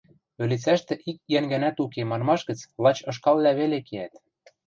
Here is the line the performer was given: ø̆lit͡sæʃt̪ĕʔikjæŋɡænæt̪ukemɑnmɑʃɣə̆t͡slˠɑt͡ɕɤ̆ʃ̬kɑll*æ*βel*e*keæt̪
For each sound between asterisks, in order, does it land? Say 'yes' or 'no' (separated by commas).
yes, yes